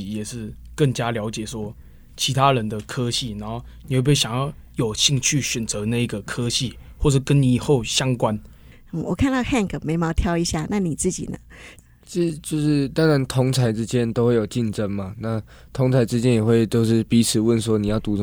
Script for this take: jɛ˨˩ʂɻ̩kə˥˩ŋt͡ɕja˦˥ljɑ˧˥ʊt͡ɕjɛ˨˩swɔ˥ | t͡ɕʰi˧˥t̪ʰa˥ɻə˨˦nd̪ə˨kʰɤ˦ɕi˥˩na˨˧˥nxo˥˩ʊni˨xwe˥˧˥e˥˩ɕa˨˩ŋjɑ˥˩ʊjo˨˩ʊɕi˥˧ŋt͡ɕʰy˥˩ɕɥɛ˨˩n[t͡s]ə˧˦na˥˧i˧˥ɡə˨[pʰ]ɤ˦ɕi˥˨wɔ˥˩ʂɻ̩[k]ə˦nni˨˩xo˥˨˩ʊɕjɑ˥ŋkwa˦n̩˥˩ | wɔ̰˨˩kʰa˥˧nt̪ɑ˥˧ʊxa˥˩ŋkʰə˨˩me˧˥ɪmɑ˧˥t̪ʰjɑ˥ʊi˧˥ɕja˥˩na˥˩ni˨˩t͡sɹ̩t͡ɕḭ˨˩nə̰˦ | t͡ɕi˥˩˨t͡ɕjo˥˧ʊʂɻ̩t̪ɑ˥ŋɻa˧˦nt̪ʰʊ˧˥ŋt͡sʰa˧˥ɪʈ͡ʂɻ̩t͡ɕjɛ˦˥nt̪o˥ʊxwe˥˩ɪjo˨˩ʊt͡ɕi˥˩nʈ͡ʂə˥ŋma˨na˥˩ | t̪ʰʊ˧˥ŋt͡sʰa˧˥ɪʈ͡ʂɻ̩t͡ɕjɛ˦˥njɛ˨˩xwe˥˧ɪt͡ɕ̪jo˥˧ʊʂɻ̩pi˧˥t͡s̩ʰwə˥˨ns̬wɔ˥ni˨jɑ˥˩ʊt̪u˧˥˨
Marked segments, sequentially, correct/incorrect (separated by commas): correct, incorrect, correct